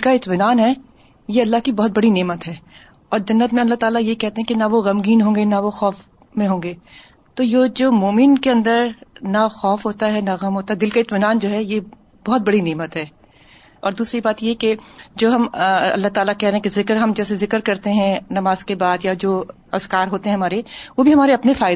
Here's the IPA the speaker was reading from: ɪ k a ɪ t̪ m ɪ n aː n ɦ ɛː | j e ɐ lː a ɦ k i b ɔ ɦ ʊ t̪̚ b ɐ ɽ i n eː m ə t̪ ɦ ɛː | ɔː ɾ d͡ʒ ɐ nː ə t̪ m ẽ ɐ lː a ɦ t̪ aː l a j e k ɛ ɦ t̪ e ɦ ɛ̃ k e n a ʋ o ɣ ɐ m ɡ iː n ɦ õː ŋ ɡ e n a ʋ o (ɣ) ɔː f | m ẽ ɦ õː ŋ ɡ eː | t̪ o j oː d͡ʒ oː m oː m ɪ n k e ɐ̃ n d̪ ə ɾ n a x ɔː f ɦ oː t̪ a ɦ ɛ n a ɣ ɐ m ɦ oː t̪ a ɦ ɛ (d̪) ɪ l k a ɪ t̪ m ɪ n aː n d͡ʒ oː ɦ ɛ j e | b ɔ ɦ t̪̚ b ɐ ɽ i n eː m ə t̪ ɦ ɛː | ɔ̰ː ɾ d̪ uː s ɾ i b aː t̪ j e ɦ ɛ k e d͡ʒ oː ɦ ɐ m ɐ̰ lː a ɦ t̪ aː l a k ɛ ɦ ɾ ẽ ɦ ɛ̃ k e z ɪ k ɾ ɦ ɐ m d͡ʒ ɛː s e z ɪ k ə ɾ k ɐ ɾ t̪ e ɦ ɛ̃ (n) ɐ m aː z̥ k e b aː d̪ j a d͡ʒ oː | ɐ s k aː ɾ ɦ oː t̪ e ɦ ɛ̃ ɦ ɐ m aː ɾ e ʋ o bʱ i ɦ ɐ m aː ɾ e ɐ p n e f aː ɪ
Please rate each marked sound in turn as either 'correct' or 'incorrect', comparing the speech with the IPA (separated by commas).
incorrect, correct, correct